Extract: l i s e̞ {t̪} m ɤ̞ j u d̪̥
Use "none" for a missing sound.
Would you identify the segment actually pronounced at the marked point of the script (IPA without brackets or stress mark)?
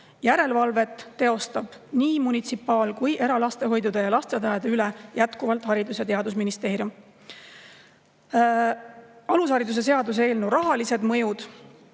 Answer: d̪